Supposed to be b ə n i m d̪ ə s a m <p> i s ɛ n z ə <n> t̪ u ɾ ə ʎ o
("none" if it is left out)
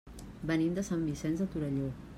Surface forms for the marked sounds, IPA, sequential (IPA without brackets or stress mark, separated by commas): b, none